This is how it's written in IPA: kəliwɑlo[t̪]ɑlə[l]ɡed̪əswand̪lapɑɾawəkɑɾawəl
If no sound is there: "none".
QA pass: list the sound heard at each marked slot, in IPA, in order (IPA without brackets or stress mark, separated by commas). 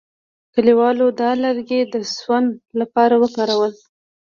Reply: d̪, ɾ